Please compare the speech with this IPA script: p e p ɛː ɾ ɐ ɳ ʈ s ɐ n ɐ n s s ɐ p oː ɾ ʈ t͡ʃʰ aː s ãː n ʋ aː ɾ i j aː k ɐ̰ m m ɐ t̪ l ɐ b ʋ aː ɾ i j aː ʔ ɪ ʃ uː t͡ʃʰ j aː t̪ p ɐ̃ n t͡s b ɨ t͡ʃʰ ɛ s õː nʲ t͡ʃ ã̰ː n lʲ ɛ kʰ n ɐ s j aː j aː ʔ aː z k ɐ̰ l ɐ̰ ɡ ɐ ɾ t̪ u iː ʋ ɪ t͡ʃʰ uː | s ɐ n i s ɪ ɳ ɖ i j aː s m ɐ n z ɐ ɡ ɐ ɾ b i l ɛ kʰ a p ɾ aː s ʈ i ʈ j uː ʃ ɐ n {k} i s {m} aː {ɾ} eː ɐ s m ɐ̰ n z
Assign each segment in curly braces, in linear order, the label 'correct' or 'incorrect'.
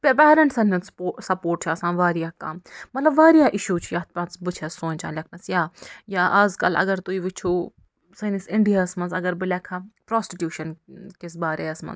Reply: correct, incorrect: b, correct

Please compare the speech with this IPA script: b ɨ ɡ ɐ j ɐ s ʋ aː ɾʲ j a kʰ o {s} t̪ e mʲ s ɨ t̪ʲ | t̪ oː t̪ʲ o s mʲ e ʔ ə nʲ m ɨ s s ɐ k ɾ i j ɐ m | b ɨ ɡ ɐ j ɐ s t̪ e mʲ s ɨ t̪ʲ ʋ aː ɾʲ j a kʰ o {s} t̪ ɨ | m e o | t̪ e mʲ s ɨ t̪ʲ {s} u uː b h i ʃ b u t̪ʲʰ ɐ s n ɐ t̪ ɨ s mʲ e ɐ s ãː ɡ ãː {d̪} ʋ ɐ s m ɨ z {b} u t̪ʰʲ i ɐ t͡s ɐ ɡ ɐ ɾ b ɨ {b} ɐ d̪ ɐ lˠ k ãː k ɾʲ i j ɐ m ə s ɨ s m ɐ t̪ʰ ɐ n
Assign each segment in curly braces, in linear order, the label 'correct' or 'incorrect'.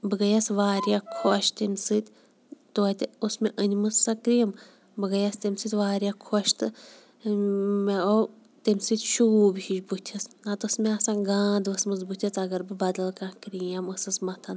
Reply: incorrect: ʃ, incorrect: ʃ, incorrect: ʃ, correct, correct, correct

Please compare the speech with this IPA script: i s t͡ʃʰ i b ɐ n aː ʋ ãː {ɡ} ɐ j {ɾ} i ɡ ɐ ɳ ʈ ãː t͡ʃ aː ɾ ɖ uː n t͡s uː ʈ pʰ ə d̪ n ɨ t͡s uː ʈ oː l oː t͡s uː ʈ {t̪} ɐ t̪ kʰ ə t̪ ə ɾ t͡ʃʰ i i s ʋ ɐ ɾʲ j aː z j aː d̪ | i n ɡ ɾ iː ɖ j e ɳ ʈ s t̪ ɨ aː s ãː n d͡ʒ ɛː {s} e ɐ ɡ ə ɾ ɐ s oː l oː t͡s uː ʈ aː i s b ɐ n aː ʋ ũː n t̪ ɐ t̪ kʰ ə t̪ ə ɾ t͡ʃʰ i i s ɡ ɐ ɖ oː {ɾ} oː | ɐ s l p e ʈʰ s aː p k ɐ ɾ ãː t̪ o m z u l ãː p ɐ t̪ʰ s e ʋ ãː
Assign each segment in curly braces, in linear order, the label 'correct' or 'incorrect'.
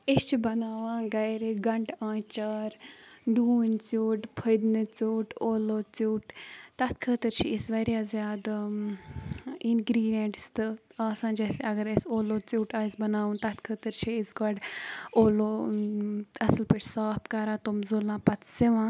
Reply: correct, correct, correct, correct, incorrect: l

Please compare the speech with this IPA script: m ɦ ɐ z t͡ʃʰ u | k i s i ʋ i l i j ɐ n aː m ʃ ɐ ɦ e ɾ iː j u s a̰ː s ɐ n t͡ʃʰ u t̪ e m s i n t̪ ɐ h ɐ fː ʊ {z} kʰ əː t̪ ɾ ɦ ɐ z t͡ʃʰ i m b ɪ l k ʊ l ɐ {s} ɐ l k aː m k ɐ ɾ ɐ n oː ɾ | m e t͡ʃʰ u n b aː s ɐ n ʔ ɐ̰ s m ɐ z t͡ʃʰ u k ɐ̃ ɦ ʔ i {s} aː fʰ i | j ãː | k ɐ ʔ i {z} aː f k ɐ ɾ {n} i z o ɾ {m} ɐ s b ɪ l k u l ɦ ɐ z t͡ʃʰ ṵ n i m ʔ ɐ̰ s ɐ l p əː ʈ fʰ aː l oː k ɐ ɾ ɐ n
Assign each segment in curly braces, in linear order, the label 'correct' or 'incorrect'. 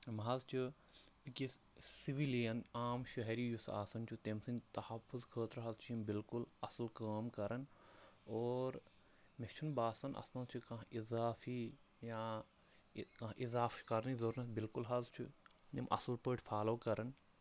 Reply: correct, correct, incorrect: z, correct, correct, incorrect: n

